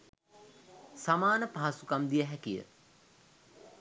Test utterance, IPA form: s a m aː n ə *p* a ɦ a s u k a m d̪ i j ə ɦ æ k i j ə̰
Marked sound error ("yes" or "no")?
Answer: no